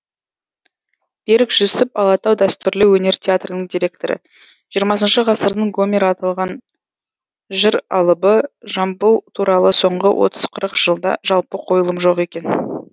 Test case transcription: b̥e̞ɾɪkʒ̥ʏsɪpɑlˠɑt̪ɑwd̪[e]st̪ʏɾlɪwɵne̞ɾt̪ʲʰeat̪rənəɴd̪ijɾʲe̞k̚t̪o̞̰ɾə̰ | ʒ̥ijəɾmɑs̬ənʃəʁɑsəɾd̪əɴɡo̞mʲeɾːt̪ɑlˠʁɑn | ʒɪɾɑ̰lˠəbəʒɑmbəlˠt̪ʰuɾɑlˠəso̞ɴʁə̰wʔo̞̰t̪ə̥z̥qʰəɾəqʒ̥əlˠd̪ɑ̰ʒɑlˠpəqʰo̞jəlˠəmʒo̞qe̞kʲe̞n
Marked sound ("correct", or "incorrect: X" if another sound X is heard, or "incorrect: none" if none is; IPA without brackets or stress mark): incorrect: æ